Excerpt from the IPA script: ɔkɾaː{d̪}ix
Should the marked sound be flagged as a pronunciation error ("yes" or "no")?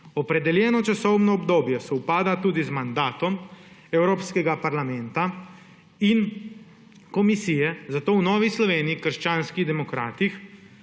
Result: yes